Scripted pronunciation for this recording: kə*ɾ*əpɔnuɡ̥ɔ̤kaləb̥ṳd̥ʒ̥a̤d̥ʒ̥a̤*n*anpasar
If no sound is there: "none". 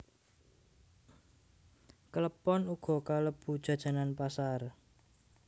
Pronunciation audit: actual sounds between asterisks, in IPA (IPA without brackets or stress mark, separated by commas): l, n